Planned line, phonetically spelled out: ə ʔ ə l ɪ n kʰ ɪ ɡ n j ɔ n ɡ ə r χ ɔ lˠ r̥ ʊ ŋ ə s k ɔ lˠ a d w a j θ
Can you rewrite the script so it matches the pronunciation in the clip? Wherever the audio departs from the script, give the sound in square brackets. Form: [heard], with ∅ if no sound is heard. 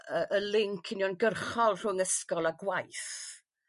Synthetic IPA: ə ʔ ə l ɪ [ŋ] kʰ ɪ [∅] n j ɔ n ɡ ə r χ ɔ lˠ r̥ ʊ ŋ ə s k ɔ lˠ a [ɡ] w a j θ